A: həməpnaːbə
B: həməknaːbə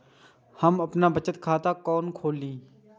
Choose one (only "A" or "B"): A